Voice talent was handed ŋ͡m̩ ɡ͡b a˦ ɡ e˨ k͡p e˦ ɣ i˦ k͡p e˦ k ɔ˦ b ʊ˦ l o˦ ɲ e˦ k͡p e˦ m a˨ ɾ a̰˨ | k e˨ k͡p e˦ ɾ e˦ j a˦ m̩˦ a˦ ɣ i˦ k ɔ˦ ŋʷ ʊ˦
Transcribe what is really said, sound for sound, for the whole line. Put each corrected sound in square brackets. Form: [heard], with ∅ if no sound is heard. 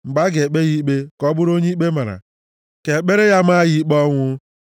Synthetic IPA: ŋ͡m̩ ɡ͡b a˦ ɡ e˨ k͡p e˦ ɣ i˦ k͡p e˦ k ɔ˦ b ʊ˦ [ɾ] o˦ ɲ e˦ k͡p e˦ m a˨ ɾ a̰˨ | k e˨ k͡p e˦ ɾ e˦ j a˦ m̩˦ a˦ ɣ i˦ [k͡p] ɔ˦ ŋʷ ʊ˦